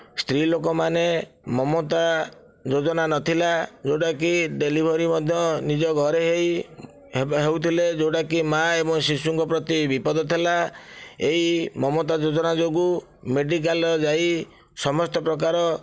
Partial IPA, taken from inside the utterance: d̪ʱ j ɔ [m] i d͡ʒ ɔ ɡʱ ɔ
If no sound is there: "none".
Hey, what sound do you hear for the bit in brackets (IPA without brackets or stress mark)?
n